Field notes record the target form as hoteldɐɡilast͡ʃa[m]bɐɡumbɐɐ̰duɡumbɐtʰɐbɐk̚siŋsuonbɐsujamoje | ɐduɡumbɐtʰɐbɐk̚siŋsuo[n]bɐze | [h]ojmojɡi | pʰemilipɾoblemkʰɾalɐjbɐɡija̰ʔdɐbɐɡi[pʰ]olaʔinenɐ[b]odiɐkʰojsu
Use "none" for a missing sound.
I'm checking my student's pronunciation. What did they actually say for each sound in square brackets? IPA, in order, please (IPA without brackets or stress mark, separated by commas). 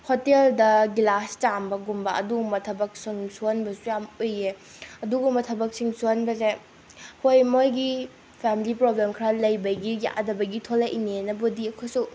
m, n, h, tʰ, b